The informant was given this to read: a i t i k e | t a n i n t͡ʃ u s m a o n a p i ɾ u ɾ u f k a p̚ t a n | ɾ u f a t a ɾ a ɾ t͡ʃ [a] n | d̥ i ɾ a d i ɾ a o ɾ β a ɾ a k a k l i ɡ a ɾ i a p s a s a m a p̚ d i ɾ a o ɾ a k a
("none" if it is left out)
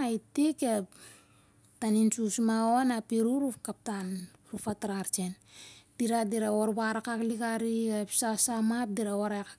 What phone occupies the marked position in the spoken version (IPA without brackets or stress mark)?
e